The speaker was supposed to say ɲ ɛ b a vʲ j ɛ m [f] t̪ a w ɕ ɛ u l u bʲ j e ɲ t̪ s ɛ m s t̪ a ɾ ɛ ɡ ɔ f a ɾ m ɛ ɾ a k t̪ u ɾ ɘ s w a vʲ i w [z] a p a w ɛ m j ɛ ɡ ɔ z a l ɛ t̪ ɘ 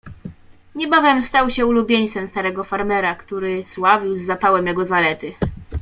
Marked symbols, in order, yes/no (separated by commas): no, no